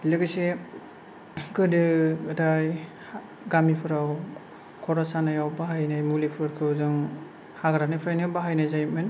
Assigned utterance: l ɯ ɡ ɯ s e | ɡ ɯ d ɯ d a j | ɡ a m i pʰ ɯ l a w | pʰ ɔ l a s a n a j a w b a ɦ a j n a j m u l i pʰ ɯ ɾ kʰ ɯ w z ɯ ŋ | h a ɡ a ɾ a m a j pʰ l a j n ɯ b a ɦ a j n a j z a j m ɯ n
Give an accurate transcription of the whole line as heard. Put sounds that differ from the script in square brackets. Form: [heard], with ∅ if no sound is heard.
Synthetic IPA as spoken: l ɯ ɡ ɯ s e | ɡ ɯ d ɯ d a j | ɡ a m i pʰ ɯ [ɾ] a w | [kʰ] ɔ [ɾ] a s a n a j a w b a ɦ a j n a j m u l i pʰ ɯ ɾ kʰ ɯ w z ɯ ŋ | h a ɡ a ɾ a [n] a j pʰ [ɾ] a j n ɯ b a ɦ a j n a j z a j m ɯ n

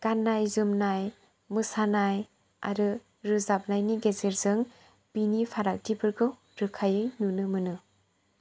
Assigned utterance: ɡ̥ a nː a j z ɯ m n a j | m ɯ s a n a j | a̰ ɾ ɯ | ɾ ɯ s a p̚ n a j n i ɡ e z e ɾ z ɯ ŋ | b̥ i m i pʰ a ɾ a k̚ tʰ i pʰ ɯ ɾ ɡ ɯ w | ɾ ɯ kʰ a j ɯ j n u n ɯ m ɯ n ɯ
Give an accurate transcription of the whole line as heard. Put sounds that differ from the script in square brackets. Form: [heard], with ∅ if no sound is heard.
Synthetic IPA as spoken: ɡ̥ a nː a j z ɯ m n a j | m ɯ s a n a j | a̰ ɾ ɯ | ɾ ɯ [z] a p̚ n a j n i ɡ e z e ɾ z ɯ ŋ | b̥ i [n] i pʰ a ɾ a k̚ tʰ i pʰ ɯ ɾ ɡ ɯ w | ɾ ɯ kʰ a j ɯ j n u n ɯ m ɯ n ɯ

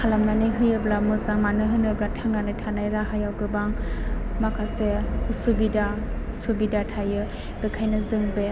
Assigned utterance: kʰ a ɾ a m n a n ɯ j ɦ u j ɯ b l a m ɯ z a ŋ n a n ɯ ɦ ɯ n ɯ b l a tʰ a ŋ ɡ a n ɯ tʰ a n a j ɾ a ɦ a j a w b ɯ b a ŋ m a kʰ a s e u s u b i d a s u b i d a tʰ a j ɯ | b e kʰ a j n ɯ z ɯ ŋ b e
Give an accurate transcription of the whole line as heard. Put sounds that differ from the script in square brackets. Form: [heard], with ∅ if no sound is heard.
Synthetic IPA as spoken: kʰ a [l] a m n a n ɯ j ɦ [ɯ] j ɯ b l a m ɯ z a ŋ [m] a n ɯ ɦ ɯ n ɯ b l a tʰ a ŋ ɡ a n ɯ tʰ a n a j ɾ a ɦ a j a w [ɡ] ɯ b a ŋ m a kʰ a s e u s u b i d a s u b i d a tʰ a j ɯ | b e kʰ a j n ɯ z ɯ ŋ b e

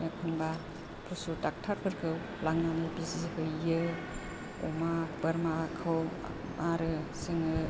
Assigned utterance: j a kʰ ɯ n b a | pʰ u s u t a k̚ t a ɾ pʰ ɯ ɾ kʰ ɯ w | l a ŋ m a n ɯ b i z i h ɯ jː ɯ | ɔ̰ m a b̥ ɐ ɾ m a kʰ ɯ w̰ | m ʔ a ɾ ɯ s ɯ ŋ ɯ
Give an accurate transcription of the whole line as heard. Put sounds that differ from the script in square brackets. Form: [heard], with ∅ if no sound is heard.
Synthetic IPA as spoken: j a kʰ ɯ n b a | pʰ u s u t a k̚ [tʰ] a ɾ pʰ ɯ ɾ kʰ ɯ w | l a ŋ [n] a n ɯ b i z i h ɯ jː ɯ | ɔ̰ m a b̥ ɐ ɾ m a kʰ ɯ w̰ | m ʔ a ɾ ɯ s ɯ ŋ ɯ

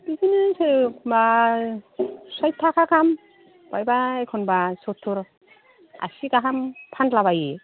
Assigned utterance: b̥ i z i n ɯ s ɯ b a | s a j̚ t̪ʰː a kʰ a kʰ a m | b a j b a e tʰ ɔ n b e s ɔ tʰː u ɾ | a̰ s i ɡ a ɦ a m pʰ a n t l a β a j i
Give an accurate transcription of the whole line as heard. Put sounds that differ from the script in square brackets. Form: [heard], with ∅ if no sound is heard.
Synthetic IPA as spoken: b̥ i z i n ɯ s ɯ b a | s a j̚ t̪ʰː a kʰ a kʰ a m | b a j b a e [kʰ] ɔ n b [a] s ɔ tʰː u ɾ | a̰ s i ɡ a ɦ a m pʰ a n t l a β a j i

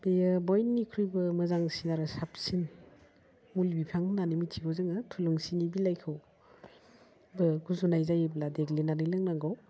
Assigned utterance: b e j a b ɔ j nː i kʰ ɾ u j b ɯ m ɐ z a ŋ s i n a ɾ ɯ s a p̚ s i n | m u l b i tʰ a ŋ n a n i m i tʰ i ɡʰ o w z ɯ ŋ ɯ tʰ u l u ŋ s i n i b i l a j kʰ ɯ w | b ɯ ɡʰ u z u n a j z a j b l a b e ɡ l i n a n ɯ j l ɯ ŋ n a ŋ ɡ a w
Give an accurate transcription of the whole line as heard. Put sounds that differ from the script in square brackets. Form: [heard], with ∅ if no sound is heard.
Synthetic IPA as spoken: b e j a b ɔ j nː i kʰ ɾ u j b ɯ m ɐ z a ŋ s i n a ɾ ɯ s a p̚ s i n | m u l b i [pʰ] a ŋ n a n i m i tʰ i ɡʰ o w z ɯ ŋ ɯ tʰ u l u ŋ s i n i b i l a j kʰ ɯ w | b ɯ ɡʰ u z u n a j z a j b l a [d] e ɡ l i n a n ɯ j l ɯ ŋ n a ŋ ɡ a w

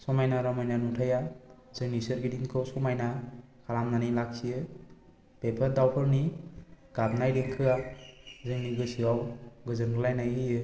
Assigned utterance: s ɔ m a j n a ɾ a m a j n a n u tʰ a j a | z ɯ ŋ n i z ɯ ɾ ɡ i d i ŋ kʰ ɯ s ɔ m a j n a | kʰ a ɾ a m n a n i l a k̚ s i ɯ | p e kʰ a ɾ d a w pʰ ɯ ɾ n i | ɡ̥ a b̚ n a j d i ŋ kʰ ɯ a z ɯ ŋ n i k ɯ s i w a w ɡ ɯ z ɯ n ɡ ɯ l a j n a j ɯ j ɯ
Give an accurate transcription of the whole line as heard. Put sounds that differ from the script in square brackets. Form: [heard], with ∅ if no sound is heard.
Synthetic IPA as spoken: s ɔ m a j n a ɾ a m a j n a n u tʰ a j a | z ɯ ŋ n i [s] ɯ ɾ ɡ i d i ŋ kʰ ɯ s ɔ m a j n a | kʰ a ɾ a m n a n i l a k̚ s i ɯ | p e [pʰ] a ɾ d a w pʰ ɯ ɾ n i | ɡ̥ a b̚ n a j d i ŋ kʰ ɯ a z ɯ ŋ n i [ɡ] ɯ s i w a w ɡ ɯ z ɯ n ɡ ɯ l a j n a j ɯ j ɯ

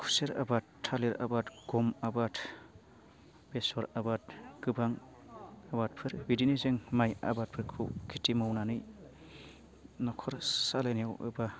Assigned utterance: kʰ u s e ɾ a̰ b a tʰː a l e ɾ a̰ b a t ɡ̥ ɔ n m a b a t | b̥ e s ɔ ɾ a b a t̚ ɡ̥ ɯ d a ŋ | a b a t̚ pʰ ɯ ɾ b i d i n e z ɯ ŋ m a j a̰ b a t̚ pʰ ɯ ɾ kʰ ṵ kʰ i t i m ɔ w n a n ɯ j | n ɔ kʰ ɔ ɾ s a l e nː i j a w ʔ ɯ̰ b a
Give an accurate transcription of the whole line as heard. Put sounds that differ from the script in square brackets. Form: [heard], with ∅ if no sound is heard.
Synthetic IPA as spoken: kʰ u s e ɾ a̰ b a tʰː a l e ɾ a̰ b a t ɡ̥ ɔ [∅] m a b a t | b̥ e s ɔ ɾ a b a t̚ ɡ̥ ɯ [b] a ŋ | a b a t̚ pʰ ɯ ɾ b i d i n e z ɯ ŋ m a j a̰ b a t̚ pʰ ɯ ɾ kʰ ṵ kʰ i t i m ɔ w n a n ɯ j | n ɔ kʰ ɔ ɾ s a l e [n] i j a w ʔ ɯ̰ b a

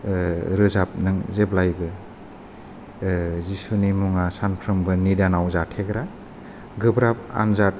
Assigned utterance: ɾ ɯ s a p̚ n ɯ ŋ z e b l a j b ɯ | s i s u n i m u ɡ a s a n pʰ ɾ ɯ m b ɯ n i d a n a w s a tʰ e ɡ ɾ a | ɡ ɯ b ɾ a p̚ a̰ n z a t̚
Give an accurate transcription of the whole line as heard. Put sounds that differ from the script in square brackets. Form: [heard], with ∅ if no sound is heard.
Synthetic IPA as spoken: ɾ ɯ [z] a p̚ n ɯ ŋ z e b l a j b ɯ | [z] i s u n i m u [ŋ] a s a n pʰ ɾ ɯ m b ɯ n i d a n a w [z] a tʰ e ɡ ɾ a | ɡ ɯ b ɾ a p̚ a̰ n z a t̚

